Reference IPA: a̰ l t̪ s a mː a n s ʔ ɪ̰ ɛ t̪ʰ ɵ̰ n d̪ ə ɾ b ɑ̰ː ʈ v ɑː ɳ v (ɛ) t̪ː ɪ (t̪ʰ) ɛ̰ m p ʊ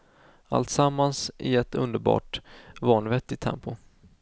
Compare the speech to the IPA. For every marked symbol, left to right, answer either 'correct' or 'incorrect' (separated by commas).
correct, correct